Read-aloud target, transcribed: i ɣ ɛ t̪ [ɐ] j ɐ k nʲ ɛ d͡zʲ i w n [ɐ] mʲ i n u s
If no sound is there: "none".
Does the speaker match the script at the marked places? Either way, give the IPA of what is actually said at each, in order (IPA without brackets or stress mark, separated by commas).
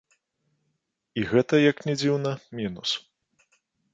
ɐ, ɐ